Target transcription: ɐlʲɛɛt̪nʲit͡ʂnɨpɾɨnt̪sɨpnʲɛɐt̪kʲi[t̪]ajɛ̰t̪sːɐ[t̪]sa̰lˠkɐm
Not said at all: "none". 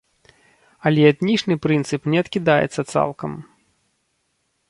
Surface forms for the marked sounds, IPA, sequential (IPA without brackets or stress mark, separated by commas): d̪, t̪